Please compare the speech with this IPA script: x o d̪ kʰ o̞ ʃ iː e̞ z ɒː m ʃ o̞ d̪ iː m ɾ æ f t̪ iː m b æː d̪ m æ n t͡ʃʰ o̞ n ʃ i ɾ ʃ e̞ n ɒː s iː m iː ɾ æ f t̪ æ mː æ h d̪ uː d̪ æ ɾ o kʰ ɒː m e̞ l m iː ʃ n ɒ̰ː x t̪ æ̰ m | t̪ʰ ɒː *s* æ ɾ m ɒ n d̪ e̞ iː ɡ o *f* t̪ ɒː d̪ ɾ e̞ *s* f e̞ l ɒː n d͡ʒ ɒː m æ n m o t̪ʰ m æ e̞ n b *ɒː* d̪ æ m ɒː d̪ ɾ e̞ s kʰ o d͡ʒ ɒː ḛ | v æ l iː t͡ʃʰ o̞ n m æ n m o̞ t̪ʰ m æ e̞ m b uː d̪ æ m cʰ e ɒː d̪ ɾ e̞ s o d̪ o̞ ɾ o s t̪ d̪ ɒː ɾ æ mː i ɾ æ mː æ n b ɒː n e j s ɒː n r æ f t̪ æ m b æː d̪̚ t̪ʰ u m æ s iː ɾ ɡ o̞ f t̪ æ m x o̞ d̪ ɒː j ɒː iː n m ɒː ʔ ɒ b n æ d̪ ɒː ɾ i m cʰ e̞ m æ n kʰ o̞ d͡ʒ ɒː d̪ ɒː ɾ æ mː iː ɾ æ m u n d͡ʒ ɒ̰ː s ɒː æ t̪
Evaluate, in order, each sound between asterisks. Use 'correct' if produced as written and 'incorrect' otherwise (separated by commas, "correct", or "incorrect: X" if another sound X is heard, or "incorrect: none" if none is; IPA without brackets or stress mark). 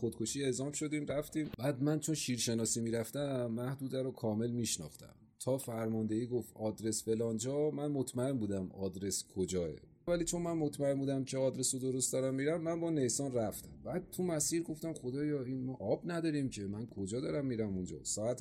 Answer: incorrect: f, correct, correct, incorrect: uː